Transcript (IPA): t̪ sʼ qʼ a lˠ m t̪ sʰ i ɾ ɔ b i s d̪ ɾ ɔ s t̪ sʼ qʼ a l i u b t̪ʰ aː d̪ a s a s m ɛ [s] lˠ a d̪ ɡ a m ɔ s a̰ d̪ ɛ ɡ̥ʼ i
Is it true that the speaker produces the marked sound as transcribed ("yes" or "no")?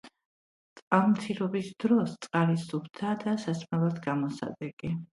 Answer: no